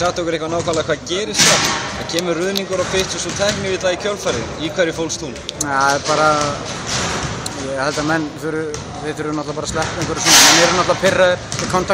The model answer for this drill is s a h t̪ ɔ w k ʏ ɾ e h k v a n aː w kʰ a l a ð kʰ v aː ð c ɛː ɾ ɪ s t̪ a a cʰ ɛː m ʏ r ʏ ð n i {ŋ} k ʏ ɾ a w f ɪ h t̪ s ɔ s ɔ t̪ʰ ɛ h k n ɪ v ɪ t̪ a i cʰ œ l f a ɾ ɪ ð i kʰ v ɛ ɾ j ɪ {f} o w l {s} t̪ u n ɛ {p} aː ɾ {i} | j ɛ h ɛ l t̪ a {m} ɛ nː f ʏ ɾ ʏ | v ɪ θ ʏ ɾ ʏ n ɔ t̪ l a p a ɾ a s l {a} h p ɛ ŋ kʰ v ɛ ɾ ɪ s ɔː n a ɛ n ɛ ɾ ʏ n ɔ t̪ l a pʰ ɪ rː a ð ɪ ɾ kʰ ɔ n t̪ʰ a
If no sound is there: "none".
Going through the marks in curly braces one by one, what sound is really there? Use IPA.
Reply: ŋ, f, s, p, a, m, ɛ

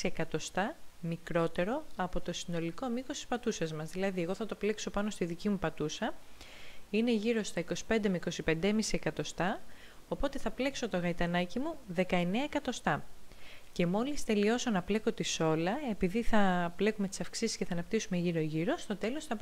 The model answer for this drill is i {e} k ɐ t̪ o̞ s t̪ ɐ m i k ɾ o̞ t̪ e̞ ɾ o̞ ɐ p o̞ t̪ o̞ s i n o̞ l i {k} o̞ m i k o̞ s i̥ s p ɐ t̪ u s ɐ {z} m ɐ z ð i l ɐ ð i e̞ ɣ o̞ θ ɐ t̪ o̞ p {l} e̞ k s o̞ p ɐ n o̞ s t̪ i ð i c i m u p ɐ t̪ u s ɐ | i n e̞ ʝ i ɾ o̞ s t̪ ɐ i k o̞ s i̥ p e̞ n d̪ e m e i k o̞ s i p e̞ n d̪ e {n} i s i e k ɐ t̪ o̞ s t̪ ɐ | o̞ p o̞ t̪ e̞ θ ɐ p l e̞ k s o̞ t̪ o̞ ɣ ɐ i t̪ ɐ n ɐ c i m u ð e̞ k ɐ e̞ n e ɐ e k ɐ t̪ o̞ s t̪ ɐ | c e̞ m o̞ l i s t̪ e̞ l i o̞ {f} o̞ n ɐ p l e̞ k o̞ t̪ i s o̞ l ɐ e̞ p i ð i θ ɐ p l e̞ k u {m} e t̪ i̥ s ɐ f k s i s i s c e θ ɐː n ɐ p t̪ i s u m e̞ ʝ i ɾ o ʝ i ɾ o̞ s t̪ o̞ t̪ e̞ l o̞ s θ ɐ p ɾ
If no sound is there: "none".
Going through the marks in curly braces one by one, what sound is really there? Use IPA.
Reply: e, k, z, l, m, s, m

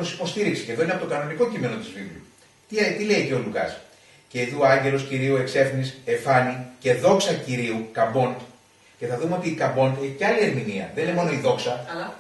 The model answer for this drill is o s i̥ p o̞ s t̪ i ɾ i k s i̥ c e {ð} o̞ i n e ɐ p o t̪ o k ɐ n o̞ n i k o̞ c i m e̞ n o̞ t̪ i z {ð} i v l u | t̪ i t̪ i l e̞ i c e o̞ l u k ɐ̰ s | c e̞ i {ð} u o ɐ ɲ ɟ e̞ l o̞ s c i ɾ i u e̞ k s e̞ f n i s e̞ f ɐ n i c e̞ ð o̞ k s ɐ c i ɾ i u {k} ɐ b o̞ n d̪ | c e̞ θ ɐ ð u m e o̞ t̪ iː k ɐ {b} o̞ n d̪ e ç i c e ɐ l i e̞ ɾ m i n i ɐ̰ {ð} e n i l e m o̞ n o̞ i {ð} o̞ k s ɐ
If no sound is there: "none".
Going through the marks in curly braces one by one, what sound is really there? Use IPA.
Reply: ð, v, ð, k, b, ð, ð

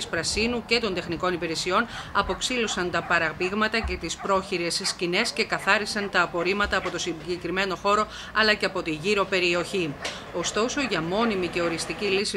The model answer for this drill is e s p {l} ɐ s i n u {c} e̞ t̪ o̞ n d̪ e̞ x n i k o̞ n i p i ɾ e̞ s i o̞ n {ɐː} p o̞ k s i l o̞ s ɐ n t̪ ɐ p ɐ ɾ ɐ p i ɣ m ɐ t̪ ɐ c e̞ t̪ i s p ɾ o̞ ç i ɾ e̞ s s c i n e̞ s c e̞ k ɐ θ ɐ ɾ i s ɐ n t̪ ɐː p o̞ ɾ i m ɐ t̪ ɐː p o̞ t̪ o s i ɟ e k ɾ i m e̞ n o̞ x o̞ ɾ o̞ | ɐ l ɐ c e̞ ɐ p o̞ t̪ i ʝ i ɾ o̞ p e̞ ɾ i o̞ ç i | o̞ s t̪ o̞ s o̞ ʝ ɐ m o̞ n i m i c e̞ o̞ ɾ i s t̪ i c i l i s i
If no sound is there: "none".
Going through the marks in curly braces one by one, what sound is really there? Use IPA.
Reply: ɾ, c, ɐ

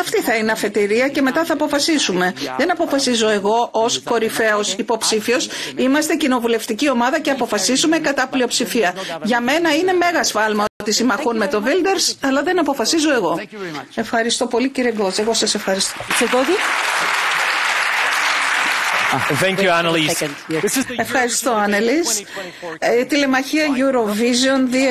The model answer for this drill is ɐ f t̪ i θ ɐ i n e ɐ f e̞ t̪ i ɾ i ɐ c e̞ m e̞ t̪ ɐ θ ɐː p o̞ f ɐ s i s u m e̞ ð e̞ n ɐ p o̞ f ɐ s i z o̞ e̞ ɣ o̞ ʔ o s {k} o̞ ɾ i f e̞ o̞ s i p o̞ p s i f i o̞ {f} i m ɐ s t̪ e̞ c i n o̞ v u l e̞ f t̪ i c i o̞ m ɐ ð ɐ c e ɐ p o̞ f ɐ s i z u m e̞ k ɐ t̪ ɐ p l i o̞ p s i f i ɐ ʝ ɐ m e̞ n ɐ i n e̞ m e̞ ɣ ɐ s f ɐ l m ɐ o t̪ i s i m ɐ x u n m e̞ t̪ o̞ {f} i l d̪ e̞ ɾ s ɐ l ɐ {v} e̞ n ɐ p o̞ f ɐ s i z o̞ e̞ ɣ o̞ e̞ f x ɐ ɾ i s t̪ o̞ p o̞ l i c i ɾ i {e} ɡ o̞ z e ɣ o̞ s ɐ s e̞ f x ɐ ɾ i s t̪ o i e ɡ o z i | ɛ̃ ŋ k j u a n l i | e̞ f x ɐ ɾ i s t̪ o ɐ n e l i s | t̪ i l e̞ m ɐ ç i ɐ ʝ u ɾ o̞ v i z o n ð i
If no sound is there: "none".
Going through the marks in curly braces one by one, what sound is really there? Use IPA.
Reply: k, s, v, ð, e

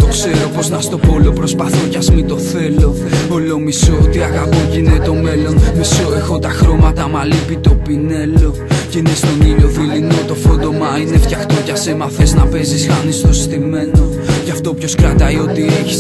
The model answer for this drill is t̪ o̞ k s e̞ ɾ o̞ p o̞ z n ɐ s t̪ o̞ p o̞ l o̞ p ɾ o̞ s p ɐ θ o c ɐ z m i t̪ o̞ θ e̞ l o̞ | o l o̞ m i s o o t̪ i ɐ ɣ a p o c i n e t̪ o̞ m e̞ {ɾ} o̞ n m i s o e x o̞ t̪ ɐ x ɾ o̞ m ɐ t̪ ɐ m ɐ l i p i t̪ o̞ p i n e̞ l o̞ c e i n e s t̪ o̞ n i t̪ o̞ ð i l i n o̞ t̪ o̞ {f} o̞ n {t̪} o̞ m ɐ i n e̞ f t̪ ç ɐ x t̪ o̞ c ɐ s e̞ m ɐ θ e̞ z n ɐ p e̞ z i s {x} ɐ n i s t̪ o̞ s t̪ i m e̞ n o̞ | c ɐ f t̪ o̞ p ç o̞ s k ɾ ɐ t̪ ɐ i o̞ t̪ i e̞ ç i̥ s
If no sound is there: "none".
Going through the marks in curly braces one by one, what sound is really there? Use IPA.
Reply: l, f, d̪, x

